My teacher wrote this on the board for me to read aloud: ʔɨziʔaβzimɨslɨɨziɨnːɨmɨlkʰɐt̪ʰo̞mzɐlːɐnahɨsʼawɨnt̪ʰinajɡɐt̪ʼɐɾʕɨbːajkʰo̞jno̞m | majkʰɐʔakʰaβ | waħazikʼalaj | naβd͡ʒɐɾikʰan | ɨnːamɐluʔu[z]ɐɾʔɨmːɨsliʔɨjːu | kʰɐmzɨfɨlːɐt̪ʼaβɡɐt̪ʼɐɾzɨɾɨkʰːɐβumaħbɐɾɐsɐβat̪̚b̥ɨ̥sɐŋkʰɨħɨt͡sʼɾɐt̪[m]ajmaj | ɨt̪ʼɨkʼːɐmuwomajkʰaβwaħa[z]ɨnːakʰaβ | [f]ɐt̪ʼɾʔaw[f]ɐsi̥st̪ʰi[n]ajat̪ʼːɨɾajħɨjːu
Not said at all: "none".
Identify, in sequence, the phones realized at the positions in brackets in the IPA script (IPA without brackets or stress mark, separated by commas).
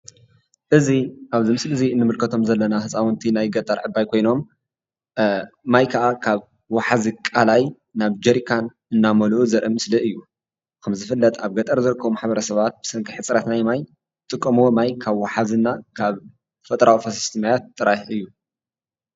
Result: z, n, z, f, f, m